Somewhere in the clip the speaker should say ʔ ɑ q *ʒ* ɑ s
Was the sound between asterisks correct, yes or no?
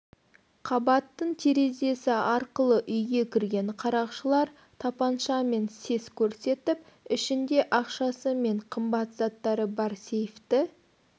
no